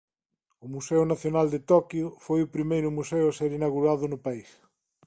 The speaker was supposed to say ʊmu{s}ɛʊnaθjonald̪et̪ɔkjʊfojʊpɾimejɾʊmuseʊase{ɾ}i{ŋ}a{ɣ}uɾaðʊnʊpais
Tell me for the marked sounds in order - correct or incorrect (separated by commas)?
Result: correct, correct, incorrect, correct